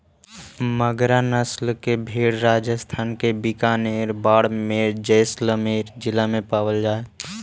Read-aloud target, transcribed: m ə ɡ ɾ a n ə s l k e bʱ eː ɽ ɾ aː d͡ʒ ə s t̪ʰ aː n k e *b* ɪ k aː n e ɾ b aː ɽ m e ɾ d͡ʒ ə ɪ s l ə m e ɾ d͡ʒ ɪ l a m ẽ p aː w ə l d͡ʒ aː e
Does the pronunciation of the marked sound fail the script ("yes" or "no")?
no